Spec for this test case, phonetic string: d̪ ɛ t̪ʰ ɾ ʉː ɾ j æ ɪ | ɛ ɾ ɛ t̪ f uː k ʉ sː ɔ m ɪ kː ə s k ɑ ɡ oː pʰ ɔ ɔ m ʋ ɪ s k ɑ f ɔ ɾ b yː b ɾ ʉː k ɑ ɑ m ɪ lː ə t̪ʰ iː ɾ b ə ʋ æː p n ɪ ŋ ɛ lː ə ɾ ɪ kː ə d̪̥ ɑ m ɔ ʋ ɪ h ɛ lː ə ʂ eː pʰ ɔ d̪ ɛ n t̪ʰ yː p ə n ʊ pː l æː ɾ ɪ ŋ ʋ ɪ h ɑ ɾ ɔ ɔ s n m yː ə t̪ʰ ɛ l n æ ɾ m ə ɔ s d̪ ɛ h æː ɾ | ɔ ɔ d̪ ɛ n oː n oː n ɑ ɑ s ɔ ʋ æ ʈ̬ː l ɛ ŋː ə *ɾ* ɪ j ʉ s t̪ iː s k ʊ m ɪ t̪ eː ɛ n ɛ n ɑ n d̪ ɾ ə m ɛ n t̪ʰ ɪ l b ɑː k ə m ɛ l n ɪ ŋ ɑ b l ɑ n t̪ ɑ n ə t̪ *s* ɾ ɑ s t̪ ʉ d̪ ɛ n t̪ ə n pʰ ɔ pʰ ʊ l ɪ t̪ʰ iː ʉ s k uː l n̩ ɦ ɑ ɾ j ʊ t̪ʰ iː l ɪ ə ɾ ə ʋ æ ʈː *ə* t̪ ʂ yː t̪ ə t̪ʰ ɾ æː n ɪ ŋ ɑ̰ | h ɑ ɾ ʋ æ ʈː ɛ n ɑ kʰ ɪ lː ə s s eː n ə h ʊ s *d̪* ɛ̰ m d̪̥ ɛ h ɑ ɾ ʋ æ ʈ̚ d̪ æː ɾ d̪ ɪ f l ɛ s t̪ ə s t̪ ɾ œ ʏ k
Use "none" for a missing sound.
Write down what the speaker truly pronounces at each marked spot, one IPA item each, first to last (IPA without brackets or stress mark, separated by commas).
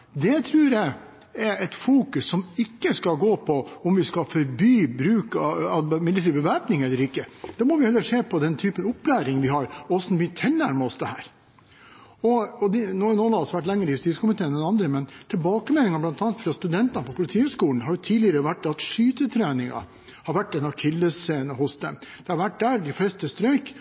ɾ, f, ɑ, d̪